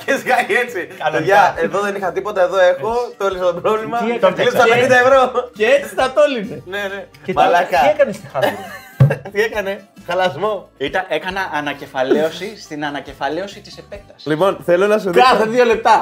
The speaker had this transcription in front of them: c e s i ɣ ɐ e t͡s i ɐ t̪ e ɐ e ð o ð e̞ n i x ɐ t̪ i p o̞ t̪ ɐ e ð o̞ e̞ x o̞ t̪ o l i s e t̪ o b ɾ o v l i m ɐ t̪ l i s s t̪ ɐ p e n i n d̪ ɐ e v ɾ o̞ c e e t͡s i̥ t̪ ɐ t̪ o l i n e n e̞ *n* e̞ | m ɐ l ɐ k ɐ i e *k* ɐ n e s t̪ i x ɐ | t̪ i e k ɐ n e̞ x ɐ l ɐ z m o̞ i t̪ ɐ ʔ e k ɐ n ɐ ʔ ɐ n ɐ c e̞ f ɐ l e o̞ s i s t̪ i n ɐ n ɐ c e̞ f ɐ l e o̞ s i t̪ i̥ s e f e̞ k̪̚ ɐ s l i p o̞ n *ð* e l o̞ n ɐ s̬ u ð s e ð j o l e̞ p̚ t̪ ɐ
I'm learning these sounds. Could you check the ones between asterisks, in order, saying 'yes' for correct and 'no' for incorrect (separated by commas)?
yes, yes, no